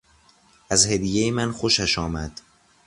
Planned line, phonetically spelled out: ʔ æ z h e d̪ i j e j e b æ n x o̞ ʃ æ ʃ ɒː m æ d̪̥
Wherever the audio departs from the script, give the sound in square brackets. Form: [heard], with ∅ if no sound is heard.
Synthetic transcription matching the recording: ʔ æ z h e d̪ i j e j e [m] æ n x o̞ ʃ æ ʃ ɒː m æ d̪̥